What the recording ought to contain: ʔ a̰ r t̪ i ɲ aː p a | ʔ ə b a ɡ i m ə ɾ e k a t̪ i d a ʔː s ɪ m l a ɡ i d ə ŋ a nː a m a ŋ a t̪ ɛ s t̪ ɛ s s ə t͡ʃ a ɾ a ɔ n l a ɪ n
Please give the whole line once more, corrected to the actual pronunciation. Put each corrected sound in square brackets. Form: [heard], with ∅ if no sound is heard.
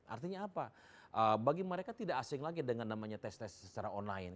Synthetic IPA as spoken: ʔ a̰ r t̪ i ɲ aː p a | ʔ ə b a ɡ i m ə ɾ e k a t̪ i d a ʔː s ɪ [ŋ] l a ɡ i d ə ŋ a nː a m a [ɲ] a t̪ ɛ s t̪ ɛ s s ə t͡ʃ a ɾ a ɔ n l a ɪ n